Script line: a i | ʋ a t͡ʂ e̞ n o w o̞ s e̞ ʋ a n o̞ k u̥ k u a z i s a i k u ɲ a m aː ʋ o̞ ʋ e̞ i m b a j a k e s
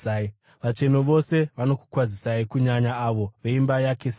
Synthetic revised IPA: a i | ʋ a t͡ʂ e̞ n o ʋ o̞ s e̞ ʋ a n o̞ k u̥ k w a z i s a i k u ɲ a ɲ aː ʋ o̞ ʋ e̞ i m b a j a k e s